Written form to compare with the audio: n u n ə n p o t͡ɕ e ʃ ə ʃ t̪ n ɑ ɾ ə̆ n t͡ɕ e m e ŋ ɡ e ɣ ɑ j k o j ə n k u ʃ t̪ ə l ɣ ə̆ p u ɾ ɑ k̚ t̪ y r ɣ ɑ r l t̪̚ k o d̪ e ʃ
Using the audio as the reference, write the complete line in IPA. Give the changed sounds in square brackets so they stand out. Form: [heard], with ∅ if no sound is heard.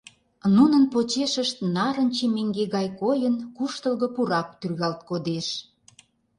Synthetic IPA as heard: n u n ə n p o t͡ɕ e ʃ ə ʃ t̪ n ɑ ɾ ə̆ n t͡ɕ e m e ŋ ɡ e ɣ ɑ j k o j ə n k u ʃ t̪ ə l ɣ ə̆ p u ɾ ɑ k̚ t̪ y r ɣ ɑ [∅] l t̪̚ k o d̪ e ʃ